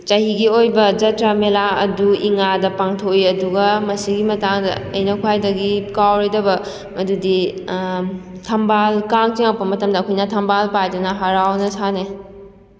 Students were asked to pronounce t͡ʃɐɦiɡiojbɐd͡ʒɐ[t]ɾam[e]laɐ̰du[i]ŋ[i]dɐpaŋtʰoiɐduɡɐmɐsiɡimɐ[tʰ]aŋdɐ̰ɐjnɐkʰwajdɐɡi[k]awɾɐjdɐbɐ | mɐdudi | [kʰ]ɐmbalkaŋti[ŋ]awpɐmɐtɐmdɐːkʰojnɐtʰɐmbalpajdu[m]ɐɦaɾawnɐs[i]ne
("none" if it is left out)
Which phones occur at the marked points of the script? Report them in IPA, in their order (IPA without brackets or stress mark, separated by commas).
t, e, i, a, t, k, tʰ, ŋ, n, a